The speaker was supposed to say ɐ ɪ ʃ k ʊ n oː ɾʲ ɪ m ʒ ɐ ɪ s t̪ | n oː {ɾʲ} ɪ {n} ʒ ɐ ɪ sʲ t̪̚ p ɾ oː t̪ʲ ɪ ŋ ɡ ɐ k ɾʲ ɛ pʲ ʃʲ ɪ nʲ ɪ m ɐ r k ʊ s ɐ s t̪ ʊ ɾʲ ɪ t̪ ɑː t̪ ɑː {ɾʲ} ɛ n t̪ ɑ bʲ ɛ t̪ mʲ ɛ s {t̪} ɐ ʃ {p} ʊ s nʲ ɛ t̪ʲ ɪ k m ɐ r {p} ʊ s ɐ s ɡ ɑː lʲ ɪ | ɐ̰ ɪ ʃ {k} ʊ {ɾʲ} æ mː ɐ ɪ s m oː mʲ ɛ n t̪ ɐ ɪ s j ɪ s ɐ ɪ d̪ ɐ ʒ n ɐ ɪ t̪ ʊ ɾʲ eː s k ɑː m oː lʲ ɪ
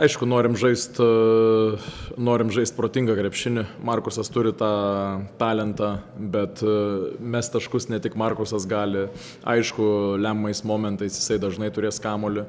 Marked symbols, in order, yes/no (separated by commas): yes, no, no, yes, no, no, yes, no